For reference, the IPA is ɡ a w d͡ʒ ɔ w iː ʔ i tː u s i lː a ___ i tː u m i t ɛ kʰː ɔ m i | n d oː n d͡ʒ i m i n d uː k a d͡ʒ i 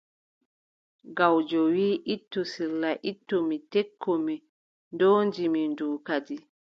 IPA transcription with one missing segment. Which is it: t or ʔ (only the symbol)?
ʔ